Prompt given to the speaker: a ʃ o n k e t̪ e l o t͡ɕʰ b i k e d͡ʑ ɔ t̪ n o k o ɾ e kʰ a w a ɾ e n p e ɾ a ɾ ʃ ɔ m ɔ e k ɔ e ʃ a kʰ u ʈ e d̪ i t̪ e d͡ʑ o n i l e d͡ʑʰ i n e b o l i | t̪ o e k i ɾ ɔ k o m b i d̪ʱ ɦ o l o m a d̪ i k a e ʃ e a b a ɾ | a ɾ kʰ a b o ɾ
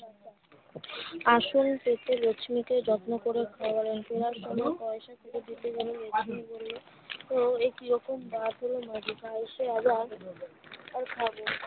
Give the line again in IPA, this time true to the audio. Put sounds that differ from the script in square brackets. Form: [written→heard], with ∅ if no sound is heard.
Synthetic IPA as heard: a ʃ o n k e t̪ e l o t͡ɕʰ [b→m] i k e d͡ʑ ɔ t̪ n o k o ɾ e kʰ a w a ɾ e n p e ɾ a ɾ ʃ ɔ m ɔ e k ɔ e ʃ a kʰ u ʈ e d̪ i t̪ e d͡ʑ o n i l e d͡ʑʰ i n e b o l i | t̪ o e k i ɾ ɔ k o m b [i→a] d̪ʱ ɦ o l o m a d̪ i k a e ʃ e a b a ɾ | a ɾ kʰ a b o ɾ